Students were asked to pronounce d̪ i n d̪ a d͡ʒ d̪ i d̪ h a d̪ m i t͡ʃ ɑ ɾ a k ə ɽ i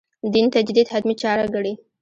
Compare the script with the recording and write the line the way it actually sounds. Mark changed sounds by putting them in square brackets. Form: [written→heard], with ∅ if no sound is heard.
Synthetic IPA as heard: d̪ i n [d̪→t̪] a d͡ʒ d̪ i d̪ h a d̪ m i t͡ʃ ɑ ɾ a [k→ɡ] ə ɽ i